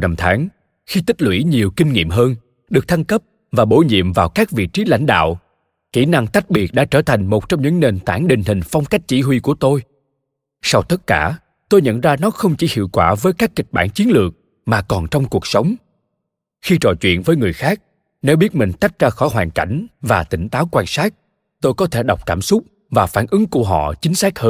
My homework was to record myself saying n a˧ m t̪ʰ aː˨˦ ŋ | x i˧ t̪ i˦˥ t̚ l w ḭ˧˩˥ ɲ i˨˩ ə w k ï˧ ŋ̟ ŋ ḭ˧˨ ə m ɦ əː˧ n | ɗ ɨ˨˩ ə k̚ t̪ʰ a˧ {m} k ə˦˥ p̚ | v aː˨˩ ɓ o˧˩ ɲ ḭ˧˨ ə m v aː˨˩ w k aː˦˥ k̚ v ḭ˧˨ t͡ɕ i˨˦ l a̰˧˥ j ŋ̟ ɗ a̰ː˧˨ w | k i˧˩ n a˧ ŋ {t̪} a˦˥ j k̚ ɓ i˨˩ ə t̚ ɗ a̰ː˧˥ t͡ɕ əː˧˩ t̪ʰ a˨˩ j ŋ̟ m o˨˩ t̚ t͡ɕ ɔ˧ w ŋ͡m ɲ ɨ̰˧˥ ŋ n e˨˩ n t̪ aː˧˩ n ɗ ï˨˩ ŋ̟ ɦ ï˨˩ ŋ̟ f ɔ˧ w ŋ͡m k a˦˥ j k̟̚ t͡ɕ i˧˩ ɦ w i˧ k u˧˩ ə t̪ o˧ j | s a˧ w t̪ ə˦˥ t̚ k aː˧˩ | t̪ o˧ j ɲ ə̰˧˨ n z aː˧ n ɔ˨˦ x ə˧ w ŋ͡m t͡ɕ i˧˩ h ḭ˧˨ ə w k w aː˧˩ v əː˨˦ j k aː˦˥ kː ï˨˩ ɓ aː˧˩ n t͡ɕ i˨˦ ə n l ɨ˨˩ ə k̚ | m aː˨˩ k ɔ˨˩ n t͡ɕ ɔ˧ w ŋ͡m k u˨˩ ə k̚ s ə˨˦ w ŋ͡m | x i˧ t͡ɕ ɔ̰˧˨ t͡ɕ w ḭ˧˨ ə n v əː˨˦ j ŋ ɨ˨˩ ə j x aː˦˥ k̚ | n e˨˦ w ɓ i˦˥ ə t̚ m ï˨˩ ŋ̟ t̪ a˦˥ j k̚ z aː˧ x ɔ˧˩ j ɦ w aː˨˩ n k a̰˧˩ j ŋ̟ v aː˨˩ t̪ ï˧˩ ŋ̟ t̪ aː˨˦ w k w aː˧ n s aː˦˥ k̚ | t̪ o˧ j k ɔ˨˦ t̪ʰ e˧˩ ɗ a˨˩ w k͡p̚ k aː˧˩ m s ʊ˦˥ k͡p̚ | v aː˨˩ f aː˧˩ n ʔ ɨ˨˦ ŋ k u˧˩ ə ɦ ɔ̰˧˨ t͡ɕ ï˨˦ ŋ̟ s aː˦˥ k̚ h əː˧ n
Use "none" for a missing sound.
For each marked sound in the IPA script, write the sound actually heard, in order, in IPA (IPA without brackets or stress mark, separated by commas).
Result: ŋ, t̪